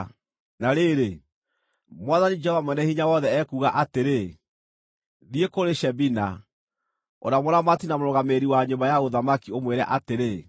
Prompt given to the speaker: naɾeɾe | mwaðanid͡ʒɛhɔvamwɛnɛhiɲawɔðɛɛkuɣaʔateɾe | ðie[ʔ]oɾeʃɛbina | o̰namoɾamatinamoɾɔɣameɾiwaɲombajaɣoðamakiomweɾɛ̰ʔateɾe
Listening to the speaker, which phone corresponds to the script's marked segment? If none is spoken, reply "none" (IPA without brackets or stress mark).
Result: k